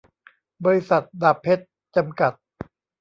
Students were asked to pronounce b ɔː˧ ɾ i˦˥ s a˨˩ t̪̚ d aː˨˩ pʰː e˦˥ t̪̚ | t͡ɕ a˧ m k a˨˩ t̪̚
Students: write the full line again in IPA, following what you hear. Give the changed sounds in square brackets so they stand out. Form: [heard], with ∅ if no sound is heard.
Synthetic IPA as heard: b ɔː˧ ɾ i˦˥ s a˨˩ t̪̚ d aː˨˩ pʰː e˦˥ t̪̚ | t͡ɕ a˧ m k a˨˩ t̪̚